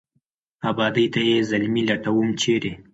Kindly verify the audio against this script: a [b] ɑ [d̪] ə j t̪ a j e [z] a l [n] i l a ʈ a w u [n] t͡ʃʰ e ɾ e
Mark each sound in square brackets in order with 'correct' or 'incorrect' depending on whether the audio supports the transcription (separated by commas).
correct, correct, correct, incorrect, incorrect